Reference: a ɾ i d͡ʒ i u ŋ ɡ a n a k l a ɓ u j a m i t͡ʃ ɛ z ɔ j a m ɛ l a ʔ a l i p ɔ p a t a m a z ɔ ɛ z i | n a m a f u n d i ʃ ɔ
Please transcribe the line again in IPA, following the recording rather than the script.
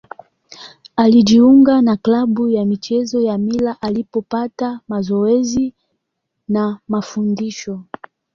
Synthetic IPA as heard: a l i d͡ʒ i u ŋ ɡ a n a k l a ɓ u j a m i t͡ʃ ɛ z ɔ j a m i l a ʔ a l i p ɔ p a t a m a z ɔ ɛ z i | n a m a f u n d i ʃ ɔ